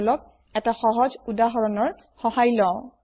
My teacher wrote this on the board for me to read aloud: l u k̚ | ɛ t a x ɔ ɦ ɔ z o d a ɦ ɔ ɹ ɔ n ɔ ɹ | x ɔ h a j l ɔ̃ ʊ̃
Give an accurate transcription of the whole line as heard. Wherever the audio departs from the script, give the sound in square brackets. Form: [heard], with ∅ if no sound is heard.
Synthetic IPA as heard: l [ɔ] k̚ | ɛ t a x ɔ ɦ ɔ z [u] d a ɦ ɔ ɹ ɔ n ɔ ɹ | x ɔ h a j l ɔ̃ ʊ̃

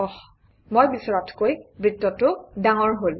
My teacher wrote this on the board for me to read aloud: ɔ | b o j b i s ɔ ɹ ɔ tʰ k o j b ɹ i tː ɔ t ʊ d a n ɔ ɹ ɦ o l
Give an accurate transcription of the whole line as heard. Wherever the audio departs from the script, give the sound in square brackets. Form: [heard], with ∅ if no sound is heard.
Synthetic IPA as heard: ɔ | [m] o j b i s ɔ ɹ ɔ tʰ k o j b ɹ i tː ɔ t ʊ d a [ŋ] ɔ ɹ ɦ o l

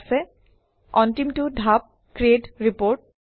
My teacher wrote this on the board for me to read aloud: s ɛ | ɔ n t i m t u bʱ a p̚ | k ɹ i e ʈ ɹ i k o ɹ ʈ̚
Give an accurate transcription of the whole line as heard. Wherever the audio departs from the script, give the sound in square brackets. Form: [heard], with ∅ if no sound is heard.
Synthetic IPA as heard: s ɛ | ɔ n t i m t u [dʱ] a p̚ | k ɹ i e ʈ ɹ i [p] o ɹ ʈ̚

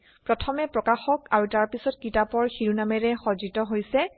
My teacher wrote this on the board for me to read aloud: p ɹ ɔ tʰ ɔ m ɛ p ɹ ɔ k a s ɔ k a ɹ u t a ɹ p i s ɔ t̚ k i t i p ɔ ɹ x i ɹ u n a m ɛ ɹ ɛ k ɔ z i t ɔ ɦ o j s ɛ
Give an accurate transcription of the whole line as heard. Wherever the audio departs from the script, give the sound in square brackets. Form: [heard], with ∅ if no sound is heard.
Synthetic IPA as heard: p ɹ ɔ tʰ ɔ m ɛ p ɹ ɔ k a [x] ɔ k a ɹ u t a ɹ p i s ɔ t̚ k i t [a] p ɔ ɹ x i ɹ u n a m ɛ ɹ ɛ [x] ɔ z i t ɔ ɦ o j s ɛ

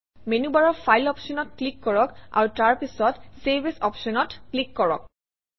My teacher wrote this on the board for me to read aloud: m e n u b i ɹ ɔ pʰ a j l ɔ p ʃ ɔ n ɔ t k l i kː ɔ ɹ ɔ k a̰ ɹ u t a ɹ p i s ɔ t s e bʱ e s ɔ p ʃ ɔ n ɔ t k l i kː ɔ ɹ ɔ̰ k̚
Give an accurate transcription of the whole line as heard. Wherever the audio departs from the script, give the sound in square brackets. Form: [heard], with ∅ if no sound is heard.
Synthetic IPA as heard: m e n u b [a] ɹ ɔ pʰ a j l ɔ p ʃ ɔ n ɔ t k l i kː ɔ ɹ ɔ k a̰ ɹ u t a ɹ p i s ɔ t s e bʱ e s ɔ p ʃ ɔ n ɔ t k l i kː ɔ ɹ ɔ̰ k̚

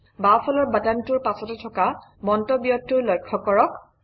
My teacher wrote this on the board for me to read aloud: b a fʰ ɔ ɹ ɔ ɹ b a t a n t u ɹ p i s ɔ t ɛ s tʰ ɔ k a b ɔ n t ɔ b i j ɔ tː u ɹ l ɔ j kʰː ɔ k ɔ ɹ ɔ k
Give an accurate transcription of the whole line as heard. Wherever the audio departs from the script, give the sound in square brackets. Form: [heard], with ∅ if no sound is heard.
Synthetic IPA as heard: b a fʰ ɔ [l] ɔ ɹ b a t a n t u ɹ p [a] s ɔ t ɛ [∅] tʰ ɔ k a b ɔ n t ɔ b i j ɔ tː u ɹ l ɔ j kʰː ɔ k ɔ ɹ ɔ k

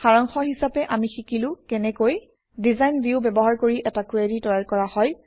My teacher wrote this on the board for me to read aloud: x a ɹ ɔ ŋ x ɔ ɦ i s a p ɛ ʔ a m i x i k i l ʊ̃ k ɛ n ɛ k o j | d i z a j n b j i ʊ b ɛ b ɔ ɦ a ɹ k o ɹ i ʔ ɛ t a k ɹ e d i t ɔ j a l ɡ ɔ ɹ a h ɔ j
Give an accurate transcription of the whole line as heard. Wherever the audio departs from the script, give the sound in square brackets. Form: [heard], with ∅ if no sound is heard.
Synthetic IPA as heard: x a ɹ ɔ ŋ x ɔ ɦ i s a p ɛ ʔ a m i x i k i l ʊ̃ k ɛ n ɛ k o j | d i z a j n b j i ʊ b ɛ b ɔ ɦ a ɹ k o ɹ i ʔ ɛ t a k ɹ e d i t ɔ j a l [k] ɔ ɹ a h ɔ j

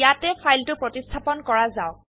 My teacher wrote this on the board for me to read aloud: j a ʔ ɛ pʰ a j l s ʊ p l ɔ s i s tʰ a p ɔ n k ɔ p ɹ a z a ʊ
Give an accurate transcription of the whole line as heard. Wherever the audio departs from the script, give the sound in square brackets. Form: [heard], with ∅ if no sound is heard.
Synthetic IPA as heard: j a [t] ɛ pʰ a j l [t] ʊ p [ɹ] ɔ [t] i s tʰ a p ɔ n k ɔ [∅] ɹ a z a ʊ

